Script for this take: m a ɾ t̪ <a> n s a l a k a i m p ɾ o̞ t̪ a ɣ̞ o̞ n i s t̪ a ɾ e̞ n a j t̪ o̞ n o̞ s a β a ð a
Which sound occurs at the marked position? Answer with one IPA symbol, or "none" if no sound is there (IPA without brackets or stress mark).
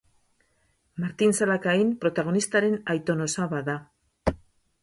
i